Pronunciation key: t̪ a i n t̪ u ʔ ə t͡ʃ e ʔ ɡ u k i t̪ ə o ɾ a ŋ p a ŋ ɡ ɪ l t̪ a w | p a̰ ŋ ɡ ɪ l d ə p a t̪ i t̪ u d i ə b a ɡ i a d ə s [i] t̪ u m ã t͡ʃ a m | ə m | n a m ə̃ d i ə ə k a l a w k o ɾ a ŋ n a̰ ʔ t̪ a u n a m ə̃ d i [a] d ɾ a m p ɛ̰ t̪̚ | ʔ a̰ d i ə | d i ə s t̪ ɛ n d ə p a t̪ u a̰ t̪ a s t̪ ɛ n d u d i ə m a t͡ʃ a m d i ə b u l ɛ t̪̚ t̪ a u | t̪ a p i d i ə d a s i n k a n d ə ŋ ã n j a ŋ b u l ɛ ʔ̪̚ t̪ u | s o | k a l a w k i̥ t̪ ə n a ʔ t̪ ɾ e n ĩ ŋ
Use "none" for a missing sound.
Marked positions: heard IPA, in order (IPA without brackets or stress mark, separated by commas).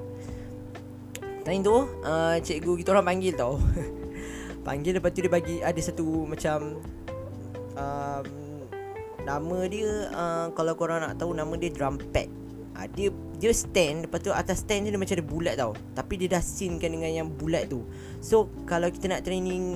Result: a, ə